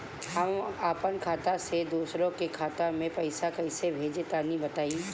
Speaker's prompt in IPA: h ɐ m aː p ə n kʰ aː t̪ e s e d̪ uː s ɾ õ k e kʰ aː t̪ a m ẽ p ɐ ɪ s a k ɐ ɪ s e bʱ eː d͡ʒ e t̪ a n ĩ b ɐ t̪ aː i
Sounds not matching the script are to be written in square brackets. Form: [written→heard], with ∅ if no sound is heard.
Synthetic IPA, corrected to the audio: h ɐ m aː p ə n kʰ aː t̪ [e→a] s e d̪ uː s ɾ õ k e kʰ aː t̪ a m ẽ p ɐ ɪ s a k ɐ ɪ s e bʱ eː d͡ʒ e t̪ a n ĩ b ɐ t̪ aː i